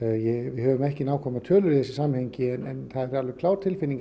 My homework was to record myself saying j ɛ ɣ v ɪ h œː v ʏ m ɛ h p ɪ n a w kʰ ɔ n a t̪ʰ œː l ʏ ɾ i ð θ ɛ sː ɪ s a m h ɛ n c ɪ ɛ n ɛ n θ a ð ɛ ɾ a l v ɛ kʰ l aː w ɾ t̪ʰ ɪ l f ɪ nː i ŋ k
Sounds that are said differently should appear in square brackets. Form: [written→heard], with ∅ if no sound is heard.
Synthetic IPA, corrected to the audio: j ɛ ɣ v ɪ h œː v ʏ m ɛ h [p→c] ɪ n a w kʰ ɔ [n→m] a t̪ʰ œː l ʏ ɾ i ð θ ɛ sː ɪ s a m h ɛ [n→ɲ] c ɪ ɛ n ɛ n θ a ð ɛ ɾ a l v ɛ kʰ l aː w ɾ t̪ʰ ɪ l f ɪ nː i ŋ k